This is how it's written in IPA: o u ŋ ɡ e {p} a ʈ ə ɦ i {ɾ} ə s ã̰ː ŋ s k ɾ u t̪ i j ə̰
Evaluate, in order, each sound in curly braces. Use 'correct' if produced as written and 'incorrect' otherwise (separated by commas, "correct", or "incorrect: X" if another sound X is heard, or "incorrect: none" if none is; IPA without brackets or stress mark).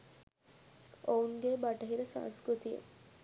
incorrect: b, correct